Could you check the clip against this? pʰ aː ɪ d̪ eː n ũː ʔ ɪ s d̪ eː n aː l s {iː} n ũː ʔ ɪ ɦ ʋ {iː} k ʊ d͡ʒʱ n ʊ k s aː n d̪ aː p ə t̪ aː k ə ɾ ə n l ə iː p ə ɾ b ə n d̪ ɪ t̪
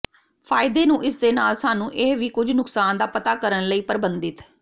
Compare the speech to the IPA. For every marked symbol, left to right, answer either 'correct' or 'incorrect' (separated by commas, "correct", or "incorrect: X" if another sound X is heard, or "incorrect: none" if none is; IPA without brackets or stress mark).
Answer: incorrect: aː, correct